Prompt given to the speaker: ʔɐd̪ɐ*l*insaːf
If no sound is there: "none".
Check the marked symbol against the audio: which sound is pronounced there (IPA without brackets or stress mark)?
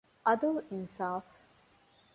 l